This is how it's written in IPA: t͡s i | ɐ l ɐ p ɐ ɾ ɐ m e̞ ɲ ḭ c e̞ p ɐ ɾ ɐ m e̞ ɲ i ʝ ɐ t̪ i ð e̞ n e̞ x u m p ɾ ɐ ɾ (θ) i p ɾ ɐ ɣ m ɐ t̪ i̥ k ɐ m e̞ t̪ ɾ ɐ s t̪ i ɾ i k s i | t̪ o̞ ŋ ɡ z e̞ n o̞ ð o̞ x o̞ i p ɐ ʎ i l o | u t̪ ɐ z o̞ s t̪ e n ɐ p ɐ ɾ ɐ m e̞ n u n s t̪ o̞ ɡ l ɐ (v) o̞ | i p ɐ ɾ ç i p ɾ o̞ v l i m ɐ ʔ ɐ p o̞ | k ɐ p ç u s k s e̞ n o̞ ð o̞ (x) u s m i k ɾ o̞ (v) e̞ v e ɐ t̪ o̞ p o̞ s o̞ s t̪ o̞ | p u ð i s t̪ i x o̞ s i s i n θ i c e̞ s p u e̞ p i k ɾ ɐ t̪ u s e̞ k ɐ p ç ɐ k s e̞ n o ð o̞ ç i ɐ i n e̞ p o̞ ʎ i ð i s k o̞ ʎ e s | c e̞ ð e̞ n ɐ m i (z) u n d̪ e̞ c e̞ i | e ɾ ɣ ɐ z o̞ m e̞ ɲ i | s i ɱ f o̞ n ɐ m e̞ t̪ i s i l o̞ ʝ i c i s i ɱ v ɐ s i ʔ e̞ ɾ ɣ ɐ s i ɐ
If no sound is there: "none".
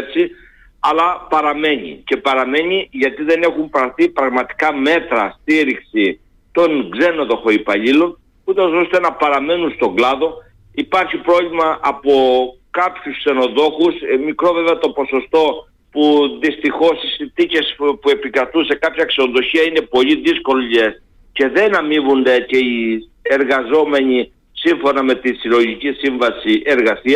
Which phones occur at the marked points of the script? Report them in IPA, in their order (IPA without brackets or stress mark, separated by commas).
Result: θ, ð, x, v, v